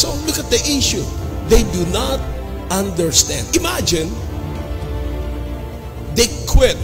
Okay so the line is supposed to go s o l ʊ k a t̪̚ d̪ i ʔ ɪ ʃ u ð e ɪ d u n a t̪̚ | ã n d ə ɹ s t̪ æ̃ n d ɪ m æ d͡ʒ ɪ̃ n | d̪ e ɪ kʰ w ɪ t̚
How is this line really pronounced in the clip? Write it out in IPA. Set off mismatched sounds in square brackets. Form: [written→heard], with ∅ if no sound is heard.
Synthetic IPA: s o l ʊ k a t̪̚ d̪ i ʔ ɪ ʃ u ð e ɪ d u n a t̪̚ | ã n d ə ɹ s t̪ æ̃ n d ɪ m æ d͡ʒ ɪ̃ n | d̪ e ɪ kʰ w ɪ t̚